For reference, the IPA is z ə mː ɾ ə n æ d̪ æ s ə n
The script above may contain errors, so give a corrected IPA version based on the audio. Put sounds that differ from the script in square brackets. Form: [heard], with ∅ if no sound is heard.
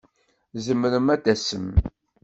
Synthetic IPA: z ə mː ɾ ə [m] æ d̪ æ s ə [m]